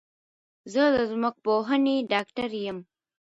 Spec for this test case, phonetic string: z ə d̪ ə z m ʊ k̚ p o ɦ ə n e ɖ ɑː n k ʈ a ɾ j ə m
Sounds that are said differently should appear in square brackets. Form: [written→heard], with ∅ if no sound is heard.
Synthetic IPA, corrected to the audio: z ə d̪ ə z m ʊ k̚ p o ɦ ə n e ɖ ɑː [n→∅] k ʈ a ɾ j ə m